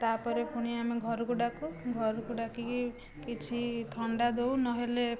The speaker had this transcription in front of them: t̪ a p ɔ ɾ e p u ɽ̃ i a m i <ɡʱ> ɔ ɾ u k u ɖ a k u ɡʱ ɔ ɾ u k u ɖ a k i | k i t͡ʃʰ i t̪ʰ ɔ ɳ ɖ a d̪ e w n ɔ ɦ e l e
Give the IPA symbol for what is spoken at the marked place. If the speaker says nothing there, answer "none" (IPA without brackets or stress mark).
ɡʱ